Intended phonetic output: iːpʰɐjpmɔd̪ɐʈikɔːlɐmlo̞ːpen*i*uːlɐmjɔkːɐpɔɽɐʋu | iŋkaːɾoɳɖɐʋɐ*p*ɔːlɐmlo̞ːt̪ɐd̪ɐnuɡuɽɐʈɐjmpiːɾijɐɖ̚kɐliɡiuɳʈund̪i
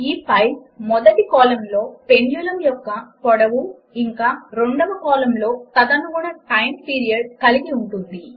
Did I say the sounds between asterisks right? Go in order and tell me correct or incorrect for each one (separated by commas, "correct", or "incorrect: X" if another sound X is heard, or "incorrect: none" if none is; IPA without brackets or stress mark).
incorrect: j, incorrect: k